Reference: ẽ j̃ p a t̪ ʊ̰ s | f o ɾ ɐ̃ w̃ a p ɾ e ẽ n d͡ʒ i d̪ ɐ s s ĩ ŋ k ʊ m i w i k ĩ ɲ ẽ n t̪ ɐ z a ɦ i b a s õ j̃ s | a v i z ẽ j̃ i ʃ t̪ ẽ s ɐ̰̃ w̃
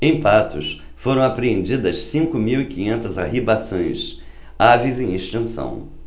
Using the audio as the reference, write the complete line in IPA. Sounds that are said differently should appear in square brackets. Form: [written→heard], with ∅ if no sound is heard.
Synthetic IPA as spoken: ẽ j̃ p a t̪ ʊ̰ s | f o ɾ ɐ̃ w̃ a p ɾ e ẽ n d͡ʒ i d̪ ɐ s s ĩ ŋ k ʊ m i w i k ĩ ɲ ẽ n t̪ ɐ z a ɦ i b a s õ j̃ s | a v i z ẽ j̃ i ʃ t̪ ẽ s ɐ̰̃ w̃